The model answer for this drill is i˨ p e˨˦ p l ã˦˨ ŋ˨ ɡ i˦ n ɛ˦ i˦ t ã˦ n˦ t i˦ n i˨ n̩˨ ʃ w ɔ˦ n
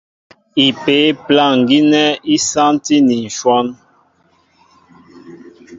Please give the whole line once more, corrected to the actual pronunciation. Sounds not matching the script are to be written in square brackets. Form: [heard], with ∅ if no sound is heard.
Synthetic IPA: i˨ p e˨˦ p l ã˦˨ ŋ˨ ɡ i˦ n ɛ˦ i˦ [s] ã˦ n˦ t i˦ n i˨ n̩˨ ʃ w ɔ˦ n